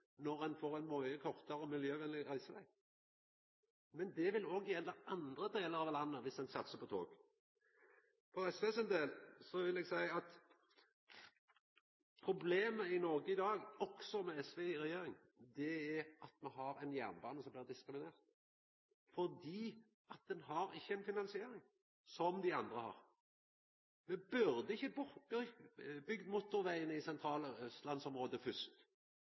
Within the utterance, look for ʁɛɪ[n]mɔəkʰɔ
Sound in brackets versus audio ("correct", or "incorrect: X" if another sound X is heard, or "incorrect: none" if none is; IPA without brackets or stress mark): correct